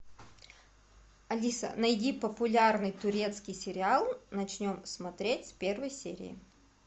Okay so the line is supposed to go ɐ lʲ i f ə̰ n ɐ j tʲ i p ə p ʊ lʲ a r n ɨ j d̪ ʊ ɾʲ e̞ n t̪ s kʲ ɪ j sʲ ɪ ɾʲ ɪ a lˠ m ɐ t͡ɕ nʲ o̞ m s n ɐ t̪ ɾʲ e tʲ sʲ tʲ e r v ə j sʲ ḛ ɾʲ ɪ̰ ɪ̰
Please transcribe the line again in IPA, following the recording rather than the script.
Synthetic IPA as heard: ɐ lʲ i s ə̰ n ɐ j dʲ i p ə p ʊ lʲ a r n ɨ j t̪ ʊ ɾʲ e̞ t̪ s kʲ ɪ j sʲ ɪ ɾʲ ɪ a lˠ n ɐ t͡ɕ nʲ o̞ m s m ɐ t̪ ɾʲ e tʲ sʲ pʲ e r v ə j sʲ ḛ ɾʲ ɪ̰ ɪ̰